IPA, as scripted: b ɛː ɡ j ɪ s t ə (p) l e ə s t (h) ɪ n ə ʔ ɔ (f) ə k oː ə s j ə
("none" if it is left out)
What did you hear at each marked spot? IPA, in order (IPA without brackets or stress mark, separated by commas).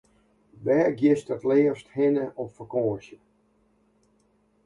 t, h, f